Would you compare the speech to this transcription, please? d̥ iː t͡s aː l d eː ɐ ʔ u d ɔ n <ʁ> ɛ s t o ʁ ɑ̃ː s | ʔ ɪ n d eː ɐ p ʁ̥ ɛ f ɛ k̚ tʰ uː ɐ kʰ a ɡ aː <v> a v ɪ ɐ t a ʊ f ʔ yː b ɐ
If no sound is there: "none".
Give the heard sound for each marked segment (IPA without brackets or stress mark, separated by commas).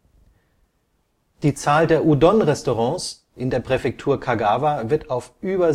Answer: ʁ, v